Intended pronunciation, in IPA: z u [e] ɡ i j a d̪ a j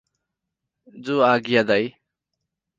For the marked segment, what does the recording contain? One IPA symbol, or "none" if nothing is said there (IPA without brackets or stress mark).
a